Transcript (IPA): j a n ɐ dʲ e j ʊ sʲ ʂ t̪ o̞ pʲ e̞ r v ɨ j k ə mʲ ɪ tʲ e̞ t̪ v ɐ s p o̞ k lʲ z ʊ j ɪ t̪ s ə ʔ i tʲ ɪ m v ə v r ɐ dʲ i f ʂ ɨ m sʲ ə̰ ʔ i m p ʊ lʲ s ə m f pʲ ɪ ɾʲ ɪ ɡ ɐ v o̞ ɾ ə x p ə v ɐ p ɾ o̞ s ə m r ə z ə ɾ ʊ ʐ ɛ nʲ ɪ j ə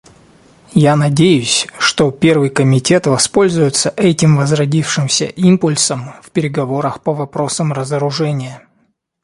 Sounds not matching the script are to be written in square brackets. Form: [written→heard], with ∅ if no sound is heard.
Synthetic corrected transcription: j a n ɐ dʲ e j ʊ sʲ ʂ t̪ o̞ pʲ e̞ r v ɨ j k ə mʲ ɪ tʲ e̞ t̪ v ɐ s p o̞ [k→∅] lʲ z ʊ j ɪ t̪ s ə ʔ [i→ɛ] tʲ ɪ m v ə [v→z] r ɐ dʲ i f ʂ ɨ m sʲ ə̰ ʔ i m p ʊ lʲ s ə m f pʲ ɪ ɾʲ ɪ ɡ ɐ v o̞ ɾ ə x p ə v ɐ p ɾ o̞ s ə m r ə z ə ɾ ʊ ʐ ɛ nʲ ɪ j ə